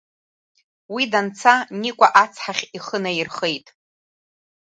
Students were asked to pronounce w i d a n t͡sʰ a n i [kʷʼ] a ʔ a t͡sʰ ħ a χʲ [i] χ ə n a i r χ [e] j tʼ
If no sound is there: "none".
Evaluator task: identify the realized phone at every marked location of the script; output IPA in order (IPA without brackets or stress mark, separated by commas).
kʷʼ, i, e